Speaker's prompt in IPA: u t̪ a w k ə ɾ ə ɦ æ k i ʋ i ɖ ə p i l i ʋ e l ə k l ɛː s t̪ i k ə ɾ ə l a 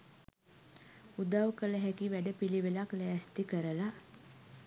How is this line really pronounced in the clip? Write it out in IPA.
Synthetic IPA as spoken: u d̪ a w k ə l ə ɦ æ k i ʋ æ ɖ ə p i l i ʋ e l a k l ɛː s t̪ i k ə ɾ ə l a